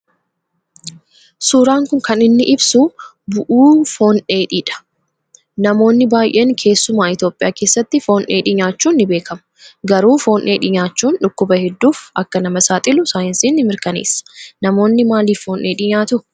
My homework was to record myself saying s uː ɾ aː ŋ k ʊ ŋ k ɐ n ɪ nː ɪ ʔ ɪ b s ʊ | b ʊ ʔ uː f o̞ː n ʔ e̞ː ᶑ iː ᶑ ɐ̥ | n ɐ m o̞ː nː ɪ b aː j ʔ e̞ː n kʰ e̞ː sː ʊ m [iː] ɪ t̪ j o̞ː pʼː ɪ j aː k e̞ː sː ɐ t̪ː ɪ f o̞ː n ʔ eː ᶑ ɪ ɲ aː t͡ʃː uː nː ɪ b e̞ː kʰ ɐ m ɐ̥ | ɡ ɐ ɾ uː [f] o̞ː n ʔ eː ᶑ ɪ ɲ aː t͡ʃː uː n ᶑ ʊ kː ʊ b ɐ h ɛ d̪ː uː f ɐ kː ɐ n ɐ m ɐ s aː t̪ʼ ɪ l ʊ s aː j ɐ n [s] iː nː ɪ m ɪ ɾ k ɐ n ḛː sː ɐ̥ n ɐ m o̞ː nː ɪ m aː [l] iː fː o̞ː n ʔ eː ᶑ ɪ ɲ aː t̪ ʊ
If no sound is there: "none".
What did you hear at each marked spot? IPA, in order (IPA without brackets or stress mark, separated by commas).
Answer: aː, f, s, l